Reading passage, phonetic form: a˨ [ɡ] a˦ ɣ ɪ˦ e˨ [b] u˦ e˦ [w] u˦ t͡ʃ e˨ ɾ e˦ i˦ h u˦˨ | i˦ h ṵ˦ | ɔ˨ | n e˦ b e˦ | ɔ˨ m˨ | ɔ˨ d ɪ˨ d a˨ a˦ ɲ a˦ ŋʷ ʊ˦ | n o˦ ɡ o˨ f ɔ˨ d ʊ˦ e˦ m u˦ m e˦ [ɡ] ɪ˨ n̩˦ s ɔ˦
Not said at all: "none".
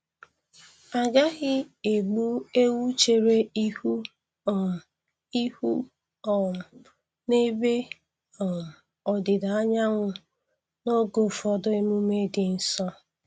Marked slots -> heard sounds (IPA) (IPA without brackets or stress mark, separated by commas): ɡ, ɡ͡b, w, d